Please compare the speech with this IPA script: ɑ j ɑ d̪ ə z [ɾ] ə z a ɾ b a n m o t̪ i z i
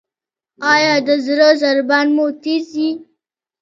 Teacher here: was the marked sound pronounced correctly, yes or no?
yes